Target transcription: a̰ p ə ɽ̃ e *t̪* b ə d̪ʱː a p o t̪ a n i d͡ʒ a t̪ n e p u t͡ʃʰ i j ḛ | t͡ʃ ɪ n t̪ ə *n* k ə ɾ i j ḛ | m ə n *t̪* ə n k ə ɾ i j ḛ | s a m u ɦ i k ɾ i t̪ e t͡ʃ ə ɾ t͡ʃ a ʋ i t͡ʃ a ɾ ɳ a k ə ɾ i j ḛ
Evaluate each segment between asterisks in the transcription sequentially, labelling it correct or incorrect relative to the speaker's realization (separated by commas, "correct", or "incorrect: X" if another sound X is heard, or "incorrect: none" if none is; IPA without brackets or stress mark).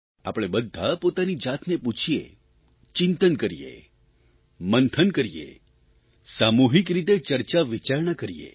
incorrect: none, correct, incorrect: t̪ʰ